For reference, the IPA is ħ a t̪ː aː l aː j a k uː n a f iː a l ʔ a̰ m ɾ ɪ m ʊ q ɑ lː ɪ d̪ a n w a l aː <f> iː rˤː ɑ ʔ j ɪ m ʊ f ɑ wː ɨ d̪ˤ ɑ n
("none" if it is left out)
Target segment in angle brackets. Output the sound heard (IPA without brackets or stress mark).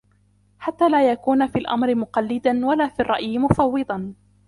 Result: f